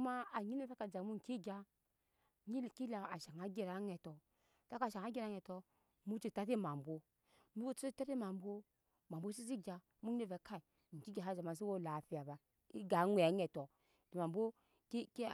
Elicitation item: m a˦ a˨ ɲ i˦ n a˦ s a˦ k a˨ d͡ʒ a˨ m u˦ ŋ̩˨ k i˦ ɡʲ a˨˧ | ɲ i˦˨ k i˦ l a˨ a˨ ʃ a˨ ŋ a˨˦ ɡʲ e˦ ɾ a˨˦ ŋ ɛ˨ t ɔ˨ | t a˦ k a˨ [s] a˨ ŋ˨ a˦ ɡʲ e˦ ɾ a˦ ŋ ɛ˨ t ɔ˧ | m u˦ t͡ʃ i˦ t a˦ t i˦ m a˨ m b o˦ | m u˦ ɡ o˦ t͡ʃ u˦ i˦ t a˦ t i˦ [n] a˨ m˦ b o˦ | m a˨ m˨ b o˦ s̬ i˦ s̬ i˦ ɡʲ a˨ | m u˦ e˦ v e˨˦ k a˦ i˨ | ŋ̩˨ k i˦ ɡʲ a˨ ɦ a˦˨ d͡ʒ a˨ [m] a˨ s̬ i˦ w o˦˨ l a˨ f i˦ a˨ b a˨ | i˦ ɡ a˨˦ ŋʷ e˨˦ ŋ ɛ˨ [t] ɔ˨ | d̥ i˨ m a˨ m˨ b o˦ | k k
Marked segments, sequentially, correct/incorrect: incorrect, incorrect, correct, correct

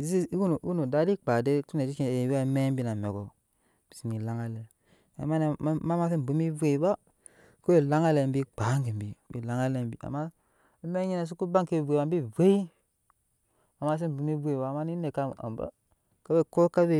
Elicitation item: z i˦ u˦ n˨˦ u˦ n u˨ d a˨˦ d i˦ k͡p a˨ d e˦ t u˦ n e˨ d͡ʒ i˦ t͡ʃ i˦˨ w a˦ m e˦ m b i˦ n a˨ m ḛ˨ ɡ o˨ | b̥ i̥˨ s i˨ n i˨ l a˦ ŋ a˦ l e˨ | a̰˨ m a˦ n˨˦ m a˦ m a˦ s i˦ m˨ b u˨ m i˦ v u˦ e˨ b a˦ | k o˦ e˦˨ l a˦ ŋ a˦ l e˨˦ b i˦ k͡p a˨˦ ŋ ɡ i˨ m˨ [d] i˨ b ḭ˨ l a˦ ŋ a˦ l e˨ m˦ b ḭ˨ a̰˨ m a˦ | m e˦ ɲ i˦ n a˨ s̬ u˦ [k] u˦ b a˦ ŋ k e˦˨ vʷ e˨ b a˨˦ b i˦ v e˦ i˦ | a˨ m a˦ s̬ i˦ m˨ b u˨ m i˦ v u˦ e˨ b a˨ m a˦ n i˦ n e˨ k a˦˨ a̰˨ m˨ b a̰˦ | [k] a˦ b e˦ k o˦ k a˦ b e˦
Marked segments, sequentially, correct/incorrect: incorrect, correct, correct

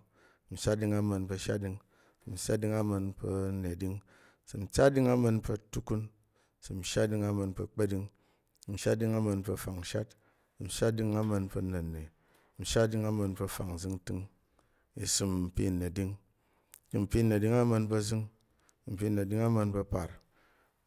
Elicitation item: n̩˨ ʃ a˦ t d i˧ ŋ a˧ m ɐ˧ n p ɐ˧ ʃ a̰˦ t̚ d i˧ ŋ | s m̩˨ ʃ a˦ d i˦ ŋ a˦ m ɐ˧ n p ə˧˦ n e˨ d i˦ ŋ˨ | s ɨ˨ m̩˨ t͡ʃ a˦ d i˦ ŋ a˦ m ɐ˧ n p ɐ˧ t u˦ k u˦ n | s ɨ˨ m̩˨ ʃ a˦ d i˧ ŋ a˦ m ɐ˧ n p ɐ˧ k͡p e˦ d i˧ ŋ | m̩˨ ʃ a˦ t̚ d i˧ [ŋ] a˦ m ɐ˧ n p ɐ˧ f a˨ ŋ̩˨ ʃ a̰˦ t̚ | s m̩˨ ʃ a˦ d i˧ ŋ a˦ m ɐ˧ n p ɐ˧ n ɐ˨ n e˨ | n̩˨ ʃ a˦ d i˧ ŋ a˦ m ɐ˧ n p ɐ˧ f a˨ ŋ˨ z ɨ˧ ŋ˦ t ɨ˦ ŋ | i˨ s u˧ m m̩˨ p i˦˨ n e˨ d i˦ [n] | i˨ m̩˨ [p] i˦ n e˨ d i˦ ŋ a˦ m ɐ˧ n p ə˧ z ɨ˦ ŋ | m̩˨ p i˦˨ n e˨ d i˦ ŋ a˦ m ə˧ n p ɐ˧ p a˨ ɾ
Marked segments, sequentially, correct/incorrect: correct, incorrect, correct

